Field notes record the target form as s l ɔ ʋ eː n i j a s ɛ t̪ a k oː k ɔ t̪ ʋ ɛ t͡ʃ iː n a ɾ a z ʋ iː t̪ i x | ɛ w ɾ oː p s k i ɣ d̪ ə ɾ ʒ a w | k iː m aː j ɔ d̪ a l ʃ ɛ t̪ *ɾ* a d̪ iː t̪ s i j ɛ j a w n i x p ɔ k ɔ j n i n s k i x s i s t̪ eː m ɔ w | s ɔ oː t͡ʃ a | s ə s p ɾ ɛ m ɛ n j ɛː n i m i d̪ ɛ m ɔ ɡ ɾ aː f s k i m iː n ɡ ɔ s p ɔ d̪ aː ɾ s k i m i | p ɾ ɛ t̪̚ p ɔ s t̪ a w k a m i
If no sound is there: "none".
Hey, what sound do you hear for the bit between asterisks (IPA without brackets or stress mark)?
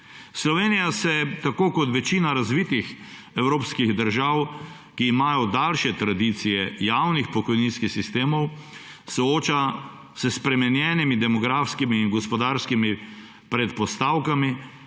ɾ